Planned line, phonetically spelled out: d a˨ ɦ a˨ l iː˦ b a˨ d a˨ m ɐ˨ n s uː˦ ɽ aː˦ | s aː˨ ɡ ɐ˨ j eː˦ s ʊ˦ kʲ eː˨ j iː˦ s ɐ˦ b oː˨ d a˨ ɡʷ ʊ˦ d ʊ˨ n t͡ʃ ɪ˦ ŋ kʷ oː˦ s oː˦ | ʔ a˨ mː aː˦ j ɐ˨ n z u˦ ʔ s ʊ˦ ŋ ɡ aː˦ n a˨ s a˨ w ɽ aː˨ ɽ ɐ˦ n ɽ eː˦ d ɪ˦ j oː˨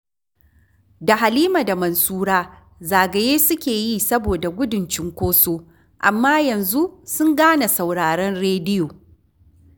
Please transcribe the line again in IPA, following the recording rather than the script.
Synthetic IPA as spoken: d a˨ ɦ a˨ l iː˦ m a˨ d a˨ m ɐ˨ n s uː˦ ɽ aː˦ | z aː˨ ɡ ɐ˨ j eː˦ s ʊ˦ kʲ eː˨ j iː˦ s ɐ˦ b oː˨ d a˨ ɡʷ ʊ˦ d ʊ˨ n t͡ʃ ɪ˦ ŋ kʷ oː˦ s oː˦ | ʔ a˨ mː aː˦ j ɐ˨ n z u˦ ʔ s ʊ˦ ŋ ɡ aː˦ n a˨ s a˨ w ɽ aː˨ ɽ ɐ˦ n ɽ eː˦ d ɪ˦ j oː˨